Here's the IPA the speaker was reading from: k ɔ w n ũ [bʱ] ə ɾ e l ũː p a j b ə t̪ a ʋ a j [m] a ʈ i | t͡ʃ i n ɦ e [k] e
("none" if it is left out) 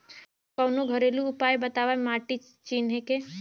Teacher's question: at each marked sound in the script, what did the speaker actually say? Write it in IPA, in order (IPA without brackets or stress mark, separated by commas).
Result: ɡʱ, m, k